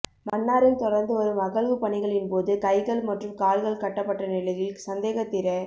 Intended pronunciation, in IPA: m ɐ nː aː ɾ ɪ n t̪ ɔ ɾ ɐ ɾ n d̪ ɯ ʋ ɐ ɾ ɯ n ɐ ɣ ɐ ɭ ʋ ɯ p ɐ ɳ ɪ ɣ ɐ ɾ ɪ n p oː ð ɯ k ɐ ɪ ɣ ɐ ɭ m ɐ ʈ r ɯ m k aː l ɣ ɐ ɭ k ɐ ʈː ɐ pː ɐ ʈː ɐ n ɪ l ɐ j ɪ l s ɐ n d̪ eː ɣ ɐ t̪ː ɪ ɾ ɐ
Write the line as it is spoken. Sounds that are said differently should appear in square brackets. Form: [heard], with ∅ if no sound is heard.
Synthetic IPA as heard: m ɐ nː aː ɾ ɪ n t̪ ɔ [ɽ] ɐ ɾ n d̪ ɯ ʋ ɐ ɾ ɯ [m] ɐ ɣ ɐ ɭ ʋ ɯ p ɐ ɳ ɪ ɣ ɐ [ɭ] ɪ n p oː ð ɯ k ɐ ɪ ɣ ɐ ɭ m ɐ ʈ r ɯ m k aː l ɣ ɐ ɭ k ɐ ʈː ɐ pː ɐ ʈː ɐ n ɪ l ɐ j ɪ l s ɐ n d̪ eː ɣ ɐ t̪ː ɪ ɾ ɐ